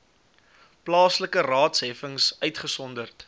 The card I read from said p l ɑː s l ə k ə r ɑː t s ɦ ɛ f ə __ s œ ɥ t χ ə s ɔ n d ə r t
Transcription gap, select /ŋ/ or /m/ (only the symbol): ŋ